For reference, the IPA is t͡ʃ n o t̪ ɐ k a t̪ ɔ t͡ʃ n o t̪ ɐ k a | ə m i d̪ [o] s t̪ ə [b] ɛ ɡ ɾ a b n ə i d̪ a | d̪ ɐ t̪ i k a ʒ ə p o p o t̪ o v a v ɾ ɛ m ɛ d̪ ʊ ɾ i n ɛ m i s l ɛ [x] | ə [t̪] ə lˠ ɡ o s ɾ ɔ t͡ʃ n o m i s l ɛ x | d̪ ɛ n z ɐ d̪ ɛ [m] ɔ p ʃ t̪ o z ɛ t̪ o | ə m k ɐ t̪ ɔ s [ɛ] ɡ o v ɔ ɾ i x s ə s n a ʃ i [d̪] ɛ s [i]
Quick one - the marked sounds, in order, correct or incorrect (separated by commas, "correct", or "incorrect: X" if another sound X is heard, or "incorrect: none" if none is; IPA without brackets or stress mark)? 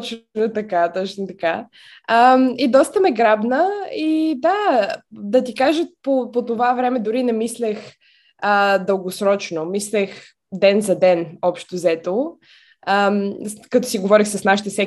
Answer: incorrect: ɔ, incorrect: m, correct, incorrect: d̪, incorrect: n, incorrect: i, incorrect: t̪, incorrect: ɛ